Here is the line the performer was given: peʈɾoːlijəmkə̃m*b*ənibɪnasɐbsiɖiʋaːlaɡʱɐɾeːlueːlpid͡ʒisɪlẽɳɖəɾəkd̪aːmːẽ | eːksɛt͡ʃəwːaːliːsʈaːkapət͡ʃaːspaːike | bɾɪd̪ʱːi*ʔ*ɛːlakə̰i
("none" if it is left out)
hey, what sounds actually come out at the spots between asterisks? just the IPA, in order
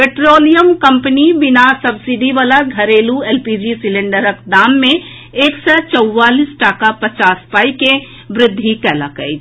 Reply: p, k

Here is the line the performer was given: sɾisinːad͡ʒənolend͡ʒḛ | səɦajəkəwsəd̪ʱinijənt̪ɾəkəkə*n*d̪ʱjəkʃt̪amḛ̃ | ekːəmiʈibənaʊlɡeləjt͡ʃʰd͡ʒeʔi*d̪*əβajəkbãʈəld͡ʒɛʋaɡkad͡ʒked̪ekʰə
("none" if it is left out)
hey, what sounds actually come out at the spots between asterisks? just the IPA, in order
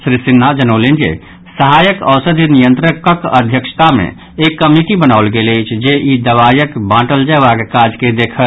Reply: none, d̪

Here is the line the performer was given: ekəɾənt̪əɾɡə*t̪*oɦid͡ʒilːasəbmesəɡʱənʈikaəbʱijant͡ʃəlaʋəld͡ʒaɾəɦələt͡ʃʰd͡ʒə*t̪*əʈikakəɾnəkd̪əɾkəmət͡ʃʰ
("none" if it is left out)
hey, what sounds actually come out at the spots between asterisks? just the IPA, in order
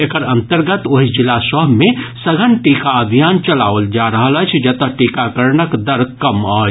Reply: t̪, t̪

